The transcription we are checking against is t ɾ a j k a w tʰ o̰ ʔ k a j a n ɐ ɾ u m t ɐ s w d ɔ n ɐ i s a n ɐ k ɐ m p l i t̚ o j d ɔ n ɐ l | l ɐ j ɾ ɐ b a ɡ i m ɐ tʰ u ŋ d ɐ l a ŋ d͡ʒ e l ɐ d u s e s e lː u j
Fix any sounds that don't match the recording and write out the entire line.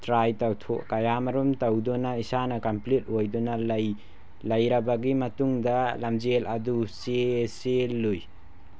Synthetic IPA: t ɾ a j t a w tʰ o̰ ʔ k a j a m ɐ ɾ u m t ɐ w d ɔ n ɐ i s a n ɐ k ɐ m p l i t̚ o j d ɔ n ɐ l | l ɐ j ɾ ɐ b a ɡ i m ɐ t u ŋ d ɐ l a m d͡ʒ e l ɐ d u s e s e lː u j